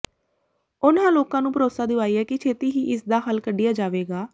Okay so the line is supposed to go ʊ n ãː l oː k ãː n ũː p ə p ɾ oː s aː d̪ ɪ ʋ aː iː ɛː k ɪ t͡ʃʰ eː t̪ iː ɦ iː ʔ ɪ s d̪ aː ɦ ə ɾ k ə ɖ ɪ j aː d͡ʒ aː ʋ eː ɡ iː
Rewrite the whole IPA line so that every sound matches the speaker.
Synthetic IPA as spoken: ʊ n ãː l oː k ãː n ũː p ə ɾ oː s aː d̪ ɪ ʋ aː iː ɛː k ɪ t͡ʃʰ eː t̪ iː ɦ iː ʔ ɪ s d̪ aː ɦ ə l k ə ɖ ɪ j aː d͡ʒ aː ʋ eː ɡ aː